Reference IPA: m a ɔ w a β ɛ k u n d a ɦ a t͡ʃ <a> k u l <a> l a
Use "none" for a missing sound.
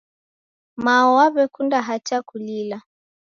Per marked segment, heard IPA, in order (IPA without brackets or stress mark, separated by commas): a, i